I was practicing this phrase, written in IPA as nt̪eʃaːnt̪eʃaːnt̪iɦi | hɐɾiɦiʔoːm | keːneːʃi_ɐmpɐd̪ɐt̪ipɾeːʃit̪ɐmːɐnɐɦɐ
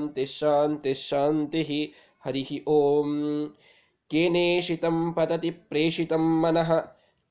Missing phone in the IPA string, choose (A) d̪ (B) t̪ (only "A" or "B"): B